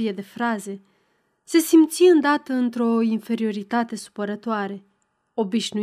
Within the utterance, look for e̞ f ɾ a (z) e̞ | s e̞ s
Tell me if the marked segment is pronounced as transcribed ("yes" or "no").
yes